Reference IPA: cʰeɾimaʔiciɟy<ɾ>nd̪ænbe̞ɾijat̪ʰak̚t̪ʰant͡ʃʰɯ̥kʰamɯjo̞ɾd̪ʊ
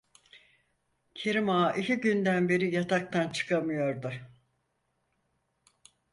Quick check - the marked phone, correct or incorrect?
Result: incorrect